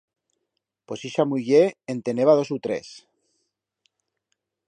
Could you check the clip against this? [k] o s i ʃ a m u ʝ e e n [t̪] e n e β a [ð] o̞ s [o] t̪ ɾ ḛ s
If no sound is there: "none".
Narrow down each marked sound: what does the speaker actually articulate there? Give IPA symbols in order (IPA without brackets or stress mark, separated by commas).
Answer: p, t̪, ð, u